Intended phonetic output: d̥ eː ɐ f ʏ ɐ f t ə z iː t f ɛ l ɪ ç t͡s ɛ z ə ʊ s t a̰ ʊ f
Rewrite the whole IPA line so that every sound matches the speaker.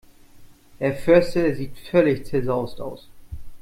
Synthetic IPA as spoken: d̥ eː ɐ f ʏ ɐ s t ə z iː t f œ l ɪ ç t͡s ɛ z a ʊ s t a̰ ʊ s